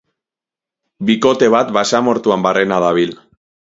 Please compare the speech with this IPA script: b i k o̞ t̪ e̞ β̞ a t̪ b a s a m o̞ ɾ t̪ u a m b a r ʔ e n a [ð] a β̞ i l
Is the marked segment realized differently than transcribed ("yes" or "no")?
no